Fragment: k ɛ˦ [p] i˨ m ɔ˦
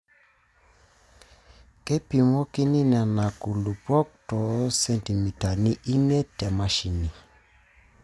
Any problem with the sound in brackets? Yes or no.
no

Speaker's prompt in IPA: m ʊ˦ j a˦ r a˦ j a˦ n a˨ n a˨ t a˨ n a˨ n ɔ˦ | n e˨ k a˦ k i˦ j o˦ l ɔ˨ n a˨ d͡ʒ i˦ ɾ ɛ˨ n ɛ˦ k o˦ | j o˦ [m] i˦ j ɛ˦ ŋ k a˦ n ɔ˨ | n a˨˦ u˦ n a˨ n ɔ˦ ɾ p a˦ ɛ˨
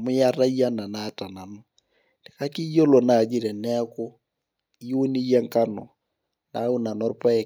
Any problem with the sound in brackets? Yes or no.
yes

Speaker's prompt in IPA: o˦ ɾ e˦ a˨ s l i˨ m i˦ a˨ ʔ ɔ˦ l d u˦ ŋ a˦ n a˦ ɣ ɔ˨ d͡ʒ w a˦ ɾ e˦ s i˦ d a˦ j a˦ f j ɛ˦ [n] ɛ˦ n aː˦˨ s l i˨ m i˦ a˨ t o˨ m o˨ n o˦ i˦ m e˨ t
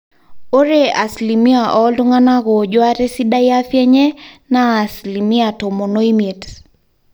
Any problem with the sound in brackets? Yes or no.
yes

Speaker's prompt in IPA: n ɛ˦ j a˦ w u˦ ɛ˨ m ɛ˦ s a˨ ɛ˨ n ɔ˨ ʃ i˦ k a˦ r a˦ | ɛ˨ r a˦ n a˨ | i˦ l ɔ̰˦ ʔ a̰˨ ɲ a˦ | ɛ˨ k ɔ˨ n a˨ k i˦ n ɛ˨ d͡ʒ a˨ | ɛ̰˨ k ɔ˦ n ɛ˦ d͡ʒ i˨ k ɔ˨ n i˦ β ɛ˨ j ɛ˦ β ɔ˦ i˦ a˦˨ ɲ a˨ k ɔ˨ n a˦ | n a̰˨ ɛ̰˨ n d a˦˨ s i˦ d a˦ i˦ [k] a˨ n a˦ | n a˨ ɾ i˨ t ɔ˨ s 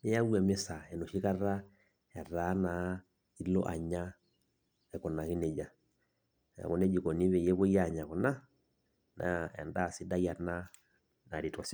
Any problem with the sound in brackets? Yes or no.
yes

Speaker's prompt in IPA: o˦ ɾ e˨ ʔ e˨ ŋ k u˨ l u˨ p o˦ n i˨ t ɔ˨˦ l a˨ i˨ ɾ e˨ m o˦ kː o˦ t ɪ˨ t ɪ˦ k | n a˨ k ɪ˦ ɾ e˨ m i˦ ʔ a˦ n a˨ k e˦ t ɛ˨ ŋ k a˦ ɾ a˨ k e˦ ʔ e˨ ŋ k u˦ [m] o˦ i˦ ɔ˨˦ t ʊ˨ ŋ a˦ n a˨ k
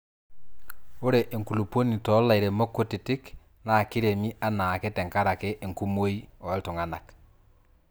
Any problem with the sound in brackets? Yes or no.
no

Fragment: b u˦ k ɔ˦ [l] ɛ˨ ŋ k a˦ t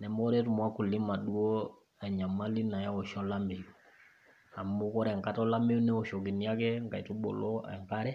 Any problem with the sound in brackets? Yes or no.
yes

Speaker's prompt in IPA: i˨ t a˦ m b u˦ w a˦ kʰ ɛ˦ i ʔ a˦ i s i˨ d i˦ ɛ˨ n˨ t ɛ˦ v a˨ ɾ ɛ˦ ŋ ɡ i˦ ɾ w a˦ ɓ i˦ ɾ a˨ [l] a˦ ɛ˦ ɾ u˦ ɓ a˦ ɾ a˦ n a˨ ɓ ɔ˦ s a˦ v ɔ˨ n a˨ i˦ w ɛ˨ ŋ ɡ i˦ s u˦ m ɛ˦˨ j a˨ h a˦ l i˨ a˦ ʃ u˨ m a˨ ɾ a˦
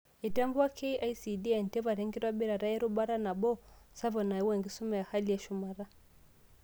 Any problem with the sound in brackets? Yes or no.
yes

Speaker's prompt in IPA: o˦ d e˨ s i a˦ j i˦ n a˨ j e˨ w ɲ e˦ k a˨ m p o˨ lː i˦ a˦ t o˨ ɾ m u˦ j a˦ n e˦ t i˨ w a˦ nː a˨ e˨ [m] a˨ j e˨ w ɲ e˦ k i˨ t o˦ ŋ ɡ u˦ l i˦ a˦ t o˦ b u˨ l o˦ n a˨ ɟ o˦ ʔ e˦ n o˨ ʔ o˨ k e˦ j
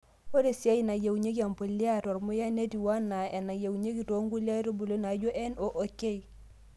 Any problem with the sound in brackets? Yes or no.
yes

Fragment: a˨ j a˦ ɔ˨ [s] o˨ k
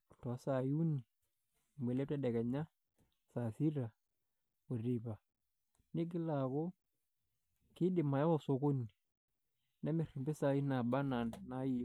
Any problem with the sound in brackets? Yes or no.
no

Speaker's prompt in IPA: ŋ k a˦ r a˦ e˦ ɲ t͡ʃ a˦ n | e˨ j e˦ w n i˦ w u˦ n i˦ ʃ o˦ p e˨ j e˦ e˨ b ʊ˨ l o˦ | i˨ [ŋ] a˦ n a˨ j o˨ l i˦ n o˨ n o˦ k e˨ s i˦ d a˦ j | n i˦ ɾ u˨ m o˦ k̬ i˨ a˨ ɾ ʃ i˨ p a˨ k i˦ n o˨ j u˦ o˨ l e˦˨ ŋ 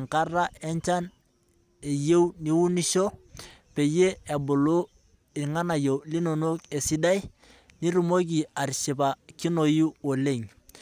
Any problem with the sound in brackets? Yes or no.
no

